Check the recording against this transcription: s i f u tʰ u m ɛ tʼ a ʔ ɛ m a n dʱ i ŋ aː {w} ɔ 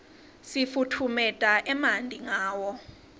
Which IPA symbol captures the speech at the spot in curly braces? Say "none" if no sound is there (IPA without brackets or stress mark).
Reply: w